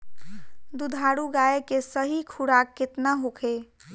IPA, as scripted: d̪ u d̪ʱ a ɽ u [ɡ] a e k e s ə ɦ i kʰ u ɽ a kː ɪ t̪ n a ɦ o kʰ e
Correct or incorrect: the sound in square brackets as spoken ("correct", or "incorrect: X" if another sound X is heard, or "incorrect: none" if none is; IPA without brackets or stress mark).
correct